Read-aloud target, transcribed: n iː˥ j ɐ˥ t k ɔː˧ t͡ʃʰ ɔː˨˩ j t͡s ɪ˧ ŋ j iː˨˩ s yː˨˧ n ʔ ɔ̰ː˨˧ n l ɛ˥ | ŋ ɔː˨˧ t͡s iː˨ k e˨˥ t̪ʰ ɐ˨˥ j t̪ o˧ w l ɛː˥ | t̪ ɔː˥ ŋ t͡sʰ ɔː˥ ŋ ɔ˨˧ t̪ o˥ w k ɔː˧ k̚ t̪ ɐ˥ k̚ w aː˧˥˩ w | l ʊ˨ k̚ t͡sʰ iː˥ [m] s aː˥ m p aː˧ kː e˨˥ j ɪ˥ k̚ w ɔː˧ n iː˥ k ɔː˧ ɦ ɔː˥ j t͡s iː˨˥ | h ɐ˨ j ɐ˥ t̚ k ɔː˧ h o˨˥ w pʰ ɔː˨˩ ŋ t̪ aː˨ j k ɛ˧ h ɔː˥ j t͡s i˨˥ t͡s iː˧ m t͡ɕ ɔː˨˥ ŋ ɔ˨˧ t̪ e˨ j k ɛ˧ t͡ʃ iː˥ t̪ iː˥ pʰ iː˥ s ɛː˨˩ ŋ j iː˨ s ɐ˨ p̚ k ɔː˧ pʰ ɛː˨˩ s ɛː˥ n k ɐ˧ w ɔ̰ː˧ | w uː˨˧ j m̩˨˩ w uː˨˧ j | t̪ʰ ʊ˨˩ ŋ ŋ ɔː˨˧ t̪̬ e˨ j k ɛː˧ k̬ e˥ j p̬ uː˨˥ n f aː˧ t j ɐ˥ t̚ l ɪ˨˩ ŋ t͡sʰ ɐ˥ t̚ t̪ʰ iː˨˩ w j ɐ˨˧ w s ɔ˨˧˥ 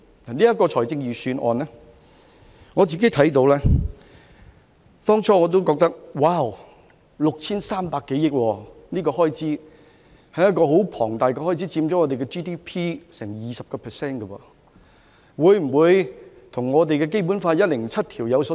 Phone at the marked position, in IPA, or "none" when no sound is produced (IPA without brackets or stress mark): n